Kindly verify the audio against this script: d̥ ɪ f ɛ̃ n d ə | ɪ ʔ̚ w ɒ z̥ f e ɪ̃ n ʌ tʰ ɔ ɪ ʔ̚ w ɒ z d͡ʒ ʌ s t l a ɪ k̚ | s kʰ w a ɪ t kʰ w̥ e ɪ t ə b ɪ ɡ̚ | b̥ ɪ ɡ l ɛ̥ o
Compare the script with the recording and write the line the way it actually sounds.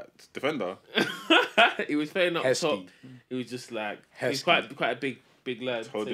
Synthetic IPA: d̥ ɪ f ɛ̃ n d ə | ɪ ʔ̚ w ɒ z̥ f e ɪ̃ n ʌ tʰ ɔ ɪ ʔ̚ w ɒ z d͡ʒ ʌ s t l a ɪ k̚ | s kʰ w a ɪ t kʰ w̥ a ɪ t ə b ɪ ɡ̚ | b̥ ɪ ɡ l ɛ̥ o